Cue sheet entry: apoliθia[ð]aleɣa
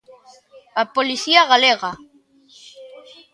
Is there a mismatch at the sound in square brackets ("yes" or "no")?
yes